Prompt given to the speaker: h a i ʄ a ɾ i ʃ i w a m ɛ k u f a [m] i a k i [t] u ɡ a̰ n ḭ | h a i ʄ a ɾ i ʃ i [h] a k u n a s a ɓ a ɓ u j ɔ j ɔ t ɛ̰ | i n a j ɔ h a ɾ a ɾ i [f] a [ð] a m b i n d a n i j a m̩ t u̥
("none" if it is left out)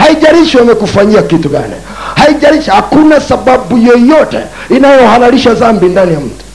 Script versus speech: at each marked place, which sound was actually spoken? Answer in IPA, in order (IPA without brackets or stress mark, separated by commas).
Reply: ɲ, t, h, ʃ, z